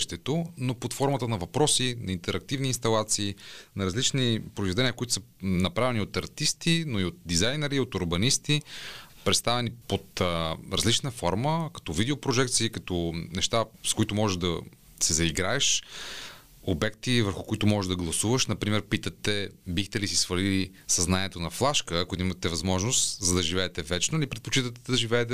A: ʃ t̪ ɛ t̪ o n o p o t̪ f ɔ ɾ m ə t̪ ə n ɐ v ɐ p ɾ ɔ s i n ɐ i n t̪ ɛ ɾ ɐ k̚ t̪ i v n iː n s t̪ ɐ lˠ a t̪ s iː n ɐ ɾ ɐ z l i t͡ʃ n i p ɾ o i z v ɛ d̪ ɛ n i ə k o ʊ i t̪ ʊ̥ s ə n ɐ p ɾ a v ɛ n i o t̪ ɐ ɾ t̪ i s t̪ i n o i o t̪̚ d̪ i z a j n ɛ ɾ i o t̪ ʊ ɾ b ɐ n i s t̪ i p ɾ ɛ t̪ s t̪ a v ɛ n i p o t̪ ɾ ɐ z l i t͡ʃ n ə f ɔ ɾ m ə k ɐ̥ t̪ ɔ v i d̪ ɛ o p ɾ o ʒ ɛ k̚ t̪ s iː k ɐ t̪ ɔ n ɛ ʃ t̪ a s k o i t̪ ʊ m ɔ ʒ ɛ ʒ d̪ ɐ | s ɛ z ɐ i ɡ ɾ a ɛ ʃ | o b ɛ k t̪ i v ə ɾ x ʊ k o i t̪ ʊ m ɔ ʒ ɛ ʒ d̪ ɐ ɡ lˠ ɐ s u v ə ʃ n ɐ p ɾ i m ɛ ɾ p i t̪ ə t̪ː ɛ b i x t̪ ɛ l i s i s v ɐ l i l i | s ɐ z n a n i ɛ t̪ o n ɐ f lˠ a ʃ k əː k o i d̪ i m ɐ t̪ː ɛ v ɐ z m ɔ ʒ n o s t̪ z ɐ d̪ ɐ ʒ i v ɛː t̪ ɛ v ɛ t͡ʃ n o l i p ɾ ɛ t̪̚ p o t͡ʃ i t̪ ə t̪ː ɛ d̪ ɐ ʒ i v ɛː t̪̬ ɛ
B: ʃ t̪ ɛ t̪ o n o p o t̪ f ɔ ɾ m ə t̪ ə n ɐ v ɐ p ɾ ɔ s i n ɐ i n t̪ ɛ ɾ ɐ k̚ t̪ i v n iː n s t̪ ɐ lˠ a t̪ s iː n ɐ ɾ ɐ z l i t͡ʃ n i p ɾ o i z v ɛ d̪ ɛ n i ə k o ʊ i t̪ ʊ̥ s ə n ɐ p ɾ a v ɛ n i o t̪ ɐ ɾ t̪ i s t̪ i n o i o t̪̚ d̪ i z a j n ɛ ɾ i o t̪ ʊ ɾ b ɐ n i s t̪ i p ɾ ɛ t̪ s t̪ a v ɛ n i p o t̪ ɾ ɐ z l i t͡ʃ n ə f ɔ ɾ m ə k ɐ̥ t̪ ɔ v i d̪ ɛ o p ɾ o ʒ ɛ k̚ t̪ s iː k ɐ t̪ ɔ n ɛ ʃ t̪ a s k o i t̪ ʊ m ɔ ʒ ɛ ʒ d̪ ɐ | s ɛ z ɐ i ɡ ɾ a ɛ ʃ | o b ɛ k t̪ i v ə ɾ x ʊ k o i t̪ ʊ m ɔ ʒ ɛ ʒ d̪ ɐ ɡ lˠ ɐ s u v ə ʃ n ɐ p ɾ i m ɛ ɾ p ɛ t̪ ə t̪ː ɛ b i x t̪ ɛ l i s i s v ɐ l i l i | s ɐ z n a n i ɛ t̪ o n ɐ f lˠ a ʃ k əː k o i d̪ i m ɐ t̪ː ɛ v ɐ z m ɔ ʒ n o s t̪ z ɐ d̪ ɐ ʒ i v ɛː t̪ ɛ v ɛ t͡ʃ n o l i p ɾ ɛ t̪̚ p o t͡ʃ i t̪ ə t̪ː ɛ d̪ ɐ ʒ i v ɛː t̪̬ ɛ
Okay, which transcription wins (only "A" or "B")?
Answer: A